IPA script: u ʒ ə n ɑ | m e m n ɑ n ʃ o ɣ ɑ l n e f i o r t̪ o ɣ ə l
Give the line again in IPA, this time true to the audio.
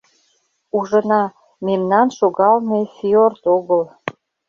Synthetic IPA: u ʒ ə n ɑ | m e m n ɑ n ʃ o ɣ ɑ l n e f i o r t̪ o ɣ ə l